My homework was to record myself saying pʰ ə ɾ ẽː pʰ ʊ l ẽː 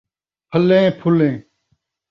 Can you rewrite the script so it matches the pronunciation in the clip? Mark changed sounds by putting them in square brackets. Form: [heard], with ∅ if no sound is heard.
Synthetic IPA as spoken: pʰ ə [l] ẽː pʰ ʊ l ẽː